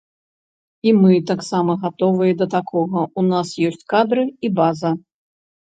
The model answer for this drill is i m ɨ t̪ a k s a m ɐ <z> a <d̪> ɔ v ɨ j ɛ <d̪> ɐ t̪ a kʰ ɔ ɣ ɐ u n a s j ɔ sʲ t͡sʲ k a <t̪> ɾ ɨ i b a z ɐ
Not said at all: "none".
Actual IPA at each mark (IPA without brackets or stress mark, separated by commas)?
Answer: ɣ, t̪, d̪, d̪